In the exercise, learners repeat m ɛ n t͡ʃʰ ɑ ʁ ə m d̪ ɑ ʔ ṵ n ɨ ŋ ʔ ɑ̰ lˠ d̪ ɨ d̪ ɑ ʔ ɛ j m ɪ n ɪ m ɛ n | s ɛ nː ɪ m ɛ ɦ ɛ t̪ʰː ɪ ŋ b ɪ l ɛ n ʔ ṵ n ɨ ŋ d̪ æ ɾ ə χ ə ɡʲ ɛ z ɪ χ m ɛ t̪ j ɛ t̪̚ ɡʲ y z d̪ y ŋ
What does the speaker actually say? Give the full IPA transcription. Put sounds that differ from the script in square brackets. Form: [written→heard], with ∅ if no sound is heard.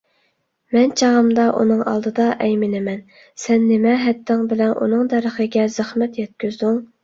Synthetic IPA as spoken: m ɛ n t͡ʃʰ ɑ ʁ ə m d̪ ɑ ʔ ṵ n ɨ ŋ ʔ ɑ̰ lˠ d̪ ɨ d̪ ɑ ʔ ɛ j m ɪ n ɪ m ɛ n | s ɛ nː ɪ m ɛ ɦ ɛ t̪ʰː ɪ ŋ b ɪ l ɛ n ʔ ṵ n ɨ ŋ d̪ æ ɾ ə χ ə ɡʲ ɛ z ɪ χ m ɛ t̪ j ɛ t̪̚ [ɡʲ→kʲ] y z d̪ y ŋ